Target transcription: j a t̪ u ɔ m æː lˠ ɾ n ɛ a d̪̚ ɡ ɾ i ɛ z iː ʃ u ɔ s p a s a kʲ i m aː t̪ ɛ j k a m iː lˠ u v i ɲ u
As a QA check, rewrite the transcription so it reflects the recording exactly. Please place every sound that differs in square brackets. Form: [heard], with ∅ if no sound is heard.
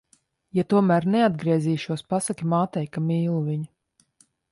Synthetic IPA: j a t̪ u ɔ m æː [∅] ɾ n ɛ a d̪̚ ɡ ɾ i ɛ z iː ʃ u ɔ s p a s a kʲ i m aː t̪ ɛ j k a m iː lˠ u v i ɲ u